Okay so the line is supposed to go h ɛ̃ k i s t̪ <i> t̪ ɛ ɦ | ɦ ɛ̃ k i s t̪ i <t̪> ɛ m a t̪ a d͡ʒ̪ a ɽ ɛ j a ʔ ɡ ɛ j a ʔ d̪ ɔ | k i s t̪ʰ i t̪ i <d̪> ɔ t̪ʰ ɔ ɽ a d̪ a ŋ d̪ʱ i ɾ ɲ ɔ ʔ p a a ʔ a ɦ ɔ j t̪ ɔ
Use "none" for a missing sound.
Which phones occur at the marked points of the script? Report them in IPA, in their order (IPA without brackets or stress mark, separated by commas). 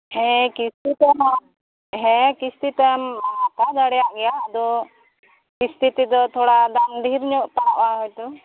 i, t̪, d̪